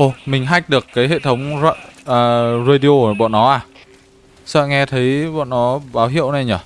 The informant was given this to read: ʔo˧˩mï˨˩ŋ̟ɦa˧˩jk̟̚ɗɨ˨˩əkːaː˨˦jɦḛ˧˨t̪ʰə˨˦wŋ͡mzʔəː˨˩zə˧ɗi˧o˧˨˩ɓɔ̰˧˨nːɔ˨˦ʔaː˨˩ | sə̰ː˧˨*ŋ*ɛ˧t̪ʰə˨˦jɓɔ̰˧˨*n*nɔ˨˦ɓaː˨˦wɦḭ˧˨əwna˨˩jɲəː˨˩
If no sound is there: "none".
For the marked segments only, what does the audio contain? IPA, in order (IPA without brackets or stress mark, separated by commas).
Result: ŋ, n